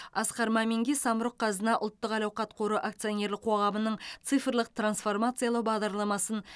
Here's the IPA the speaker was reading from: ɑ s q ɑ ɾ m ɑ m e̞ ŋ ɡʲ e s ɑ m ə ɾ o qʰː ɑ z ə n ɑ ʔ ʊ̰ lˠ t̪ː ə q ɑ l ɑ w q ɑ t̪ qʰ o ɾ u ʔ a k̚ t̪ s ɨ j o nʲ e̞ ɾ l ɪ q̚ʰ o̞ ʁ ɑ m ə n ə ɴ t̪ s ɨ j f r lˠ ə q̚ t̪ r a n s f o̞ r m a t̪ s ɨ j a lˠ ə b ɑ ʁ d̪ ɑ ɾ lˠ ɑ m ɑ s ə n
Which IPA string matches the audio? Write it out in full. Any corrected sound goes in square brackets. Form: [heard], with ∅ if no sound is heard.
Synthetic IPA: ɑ s q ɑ ɾ m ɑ m e̞ ŋ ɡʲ e s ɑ m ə ɾ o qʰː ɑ z ə n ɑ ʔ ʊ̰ lˠ t̪ː ə q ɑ l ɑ w q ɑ t̪ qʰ o ɾ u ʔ a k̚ t̪ s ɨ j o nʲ e̞ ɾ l ɪ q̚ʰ o̞ ʁ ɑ m ə n ə ɴ t̪ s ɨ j f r lˠ ə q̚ t̪ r a n s f o̞ r m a t̪ s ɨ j a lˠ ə b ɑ ʁ d̪ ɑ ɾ lˠ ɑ m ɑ s ə n